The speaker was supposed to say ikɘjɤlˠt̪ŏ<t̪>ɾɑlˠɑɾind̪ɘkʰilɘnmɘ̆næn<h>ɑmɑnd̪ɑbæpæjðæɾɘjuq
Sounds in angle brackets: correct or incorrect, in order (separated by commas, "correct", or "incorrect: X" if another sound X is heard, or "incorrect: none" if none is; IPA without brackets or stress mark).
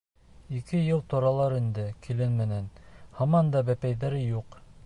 incorrect: none, correct